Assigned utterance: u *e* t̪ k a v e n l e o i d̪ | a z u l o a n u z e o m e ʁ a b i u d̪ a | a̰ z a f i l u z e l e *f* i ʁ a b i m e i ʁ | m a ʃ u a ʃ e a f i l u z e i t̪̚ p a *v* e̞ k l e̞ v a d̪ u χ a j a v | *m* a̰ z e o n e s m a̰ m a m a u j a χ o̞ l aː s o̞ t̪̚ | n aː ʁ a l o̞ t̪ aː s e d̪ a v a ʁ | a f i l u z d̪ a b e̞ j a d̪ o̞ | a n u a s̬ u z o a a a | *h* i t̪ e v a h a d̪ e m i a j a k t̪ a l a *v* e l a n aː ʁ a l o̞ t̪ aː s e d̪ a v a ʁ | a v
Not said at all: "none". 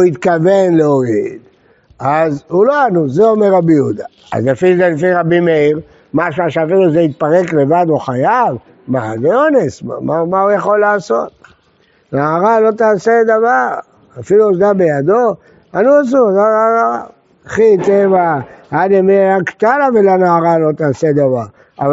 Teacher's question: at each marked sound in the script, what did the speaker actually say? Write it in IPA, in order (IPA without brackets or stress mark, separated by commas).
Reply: i, f, ʁ, m, χ, v